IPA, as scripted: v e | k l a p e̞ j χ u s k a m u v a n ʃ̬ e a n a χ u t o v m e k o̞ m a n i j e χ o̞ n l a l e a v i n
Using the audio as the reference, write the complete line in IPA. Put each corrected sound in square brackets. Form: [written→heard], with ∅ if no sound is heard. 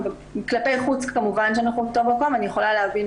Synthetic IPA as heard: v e | k l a p e̞ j χ u [s→t͡s] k a m u v a n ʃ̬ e a n a χ u t o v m [e→a] k o̞ m a n i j e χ o̞ [n→∅] l a l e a v i n